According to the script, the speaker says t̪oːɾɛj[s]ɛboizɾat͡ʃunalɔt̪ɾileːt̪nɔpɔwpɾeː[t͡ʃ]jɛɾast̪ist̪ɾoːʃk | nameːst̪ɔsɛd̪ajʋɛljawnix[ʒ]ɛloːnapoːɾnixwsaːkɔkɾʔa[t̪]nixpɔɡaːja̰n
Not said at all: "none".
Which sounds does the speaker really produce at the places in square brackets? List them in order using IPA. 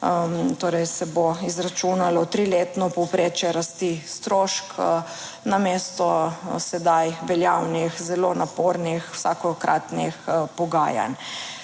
s, t͡ʃ, z, t̪

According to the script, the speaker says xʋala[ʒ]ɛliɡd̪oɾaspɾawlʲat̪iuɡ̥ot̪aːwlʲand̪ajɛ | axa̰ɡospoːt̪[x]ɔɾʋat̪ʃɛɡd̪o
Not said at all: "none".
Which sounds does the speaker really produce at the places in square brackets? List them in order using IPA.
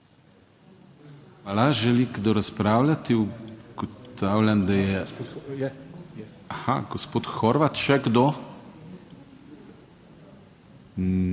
ʒ, x

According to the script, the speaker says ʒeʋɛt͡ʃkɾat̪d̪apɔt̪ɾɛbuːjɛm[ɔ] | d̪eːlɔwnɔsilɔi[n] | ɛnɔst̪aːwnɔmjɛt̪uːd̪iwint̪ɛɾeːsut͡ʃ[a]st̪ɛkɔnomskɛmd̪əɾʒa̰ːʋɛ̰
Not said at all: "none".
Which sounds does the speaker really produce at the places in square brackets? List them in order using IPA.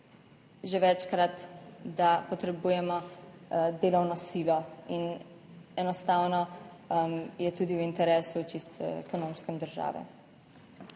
ɔ, n, i

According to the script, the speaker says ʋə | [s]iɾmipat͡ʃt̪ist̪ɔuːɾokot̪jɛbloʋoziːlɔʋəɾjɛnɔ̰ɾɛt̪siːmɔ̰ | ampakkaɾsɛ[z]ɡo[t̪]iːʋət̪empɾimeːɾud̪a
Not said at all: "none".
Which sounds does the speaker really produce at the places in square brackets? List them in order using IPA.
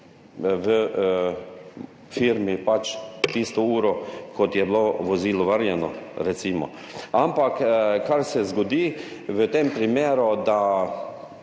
f, z, d̪

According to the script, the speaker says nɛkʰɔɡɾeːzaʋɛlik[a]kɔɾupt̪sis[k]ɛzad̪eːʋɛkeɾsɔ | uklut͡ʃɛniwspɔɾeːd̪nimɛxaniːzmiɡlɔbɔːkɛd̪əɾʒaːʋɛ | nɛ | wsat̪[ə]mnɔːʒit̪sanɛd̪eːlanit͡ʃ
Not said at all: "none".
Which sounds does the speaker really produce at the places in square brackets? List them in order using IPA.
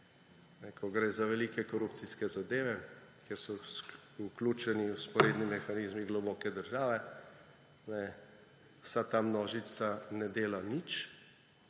ɛ, k, a

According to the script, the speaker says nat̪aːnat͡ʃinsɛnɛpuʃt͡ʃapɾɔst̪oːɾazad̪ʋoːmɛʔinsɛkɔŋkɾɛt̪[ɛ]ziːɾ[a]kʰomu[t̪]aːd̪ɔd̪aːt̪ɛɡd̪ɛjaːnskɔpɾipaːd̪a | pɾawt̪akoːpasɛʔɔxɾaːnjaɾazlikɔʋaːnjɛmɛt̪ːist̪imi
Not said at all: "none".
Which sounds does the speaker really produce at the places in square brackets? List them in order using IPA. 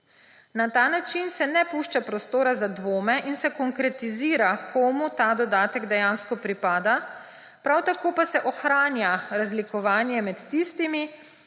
i, a, t̪

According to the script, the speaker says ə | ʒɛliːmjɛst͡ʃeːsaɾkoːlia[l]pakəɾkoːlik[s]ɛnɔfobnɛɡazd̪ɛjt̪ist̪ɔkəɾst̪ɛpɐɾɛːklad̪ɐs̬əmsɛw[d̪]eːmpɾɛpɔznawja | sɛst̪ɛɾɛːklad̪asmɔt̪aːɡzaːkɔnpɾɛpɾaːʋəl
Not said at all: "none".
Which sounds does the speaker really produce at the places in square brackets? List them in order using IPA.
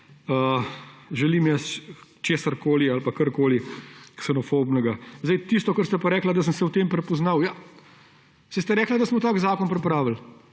l, s, t̪

